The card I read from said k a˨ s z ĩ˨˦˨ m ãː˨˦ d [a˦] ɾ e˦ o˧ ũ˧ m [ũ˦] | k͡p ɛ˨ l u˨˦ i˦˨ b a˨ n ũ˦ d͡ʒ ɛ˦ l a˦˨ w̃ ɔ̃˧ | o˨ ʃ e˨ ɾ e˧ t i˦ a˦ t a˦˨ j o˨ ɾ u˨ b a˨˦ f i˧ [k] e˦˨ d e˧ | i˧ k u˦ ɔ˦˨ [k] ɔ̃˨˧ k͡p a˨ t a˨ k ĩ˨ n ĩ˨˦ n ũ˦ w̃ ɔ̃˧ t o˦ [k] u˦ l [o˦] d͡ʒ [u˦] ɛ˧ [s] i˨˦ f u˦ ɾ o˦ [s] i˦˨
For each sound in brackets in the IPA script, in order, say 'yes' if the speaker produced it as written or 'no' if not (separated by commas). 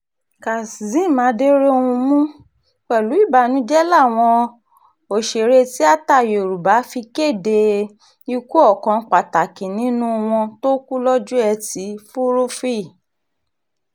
no, yes, yes, yes, yes, no, yes, no, no